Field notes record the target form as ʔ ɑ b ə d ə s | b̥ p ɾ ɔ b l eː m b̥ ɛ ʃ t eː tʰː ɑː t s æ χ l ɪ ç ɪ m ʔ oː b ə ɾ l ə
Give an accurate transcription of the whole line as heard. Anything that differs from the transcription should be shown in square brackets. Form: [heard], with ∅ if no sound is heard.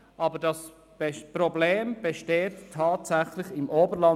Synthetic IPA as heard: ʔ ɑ b ə d [ɑ] s | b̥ p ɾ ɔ b l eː m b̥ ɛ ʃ t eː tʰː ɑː t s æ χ l ɪ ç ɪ m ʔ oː b ə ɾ l [ɑ]